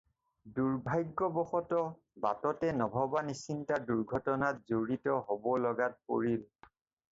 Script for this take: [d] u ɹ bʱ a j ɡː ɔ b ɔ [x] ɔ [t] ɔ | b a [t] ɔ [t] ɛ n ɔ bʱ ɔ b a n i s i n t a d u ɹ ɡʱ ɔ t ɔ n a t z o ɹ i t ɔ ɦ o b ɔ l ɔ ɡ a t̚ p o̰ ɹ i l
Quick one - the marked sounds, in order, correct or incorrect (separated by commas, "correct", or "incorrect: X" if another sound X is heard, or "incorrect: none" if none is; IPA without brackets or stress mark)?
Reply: correct, correct, correct, correct, correct